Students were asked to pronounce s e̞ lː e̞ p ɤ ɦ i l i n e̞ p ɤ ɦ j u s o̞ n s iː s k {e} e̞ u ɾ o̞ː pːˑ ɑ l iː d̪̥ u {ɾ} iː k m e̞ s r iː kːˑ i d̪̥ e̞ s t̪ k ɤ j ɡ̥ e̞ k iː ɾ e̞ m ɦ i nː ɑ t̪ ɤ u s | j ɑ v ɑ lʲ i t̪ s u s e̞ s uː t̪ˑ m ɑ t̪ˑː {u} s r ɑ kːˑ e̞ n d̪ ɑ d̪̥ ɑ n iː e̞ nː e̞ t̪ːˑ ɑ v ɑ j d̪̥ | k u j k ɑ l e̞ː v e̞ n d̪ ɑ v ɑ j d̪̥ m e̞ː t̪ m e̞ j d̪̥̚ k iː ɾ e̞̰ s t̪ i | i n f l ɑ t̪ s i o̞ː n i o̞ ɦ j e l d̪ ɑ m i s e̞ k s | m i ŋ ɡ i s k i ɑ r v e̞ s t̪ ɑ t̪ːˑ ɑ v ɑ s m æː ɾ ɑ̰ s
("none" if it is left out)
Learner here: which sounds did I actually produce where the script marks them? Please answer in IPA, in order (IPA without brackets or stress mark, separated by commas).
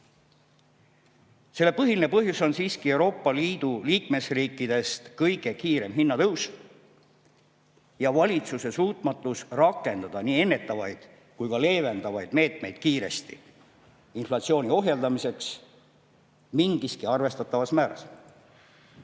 i, l, u